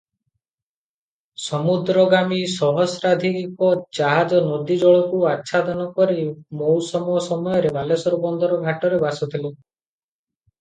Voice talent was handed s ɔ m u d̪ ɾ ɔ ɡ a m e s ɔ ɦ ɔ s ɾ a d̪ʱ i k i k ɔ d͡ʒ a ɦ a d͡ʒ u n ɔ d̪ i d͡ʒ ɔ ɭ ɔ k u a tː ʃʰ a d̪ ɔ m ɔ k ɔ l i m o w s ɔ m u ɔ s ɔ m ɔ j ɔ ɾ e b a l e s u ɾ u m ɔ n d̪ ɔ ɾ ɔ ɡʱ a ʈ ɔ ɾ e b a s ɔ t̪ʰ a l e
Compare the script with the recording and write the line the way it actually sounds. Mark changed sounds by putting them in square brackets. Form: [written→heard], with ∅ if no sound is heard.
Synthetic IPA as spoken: s ɔ m u d̪ ɾ ɔ ɡ a m [e→i] s ɔ ɦ ɔ s ɾ a d̪ʱ i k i k ɔ d͡ʒ a ɦ a d͡ʒ [u→ɔ] n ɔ d̪ i d͡ʒ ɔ ɭ ɔ k u a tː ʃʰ a d̪ ɔ [m→n] ɔ k ɔ [l→ɾ] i m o w s ɔ m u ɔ s ɔ m ɔ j ɔ ɾ e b a l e s [u→ɔ] ɾ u [m→b] ɔ n d̪ ɔ ɾ ɔ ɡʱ a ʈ ɔ ɾ e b a s ɔ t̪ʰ [a→i] l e